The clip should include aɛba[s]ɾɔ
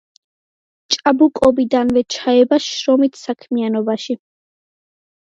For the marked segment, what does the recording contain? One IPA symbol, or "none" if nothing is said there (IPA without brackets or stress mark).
ʃ